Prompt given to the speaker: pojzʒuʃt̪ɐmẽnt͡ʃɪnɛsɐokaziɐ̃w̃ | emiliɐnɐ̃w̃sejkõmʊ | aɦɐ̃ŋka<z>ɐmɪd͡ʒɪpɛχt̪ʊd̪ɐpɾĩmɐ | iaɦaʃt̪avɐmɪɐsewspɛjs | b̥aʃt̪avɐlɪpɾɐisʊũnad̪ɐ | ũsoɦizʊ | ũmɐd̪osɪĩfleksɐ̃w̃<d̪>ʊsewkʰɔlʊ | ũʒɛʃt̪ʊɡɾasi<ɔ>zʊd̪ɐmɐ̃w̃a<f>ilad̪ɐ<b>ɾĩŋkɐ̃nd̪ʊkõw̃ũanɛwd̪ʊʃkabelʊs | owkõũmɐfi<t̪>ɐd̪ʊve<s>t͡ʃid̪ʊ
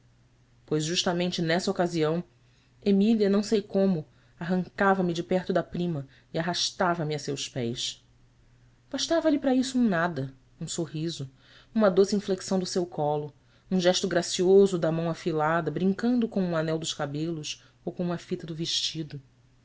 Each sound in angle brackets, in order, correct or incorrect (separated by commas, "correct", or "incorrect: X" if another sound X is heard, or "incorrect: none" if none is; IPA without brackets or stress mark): incorrect: v, correct, incorrect: o, correct, correct, correct, incorrect: ʃ